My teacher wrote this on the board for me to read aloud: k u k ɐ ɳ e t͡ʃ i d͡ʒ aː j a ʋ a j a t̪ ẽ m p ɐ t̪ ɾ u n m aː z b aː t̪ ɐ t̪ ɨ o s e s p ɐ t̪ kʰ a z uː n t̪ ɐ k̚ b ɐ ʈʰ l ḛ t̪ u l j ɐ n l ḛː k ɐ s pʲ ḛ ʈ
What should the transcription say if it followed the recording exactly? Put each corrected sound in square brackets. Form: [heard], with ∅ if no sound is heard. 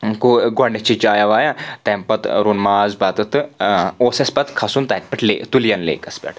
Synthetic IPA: k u [ɡ] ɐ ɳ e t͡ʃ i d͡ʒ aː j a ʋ a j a t̪ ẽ m p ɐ t̪ ɾ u n m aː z b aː t̪ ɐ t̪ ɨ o s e s p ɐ t̪ kʰ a [s] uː n t̪ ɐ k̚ [p] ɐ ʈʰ l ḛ t̪ u l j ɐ n l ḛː k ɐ s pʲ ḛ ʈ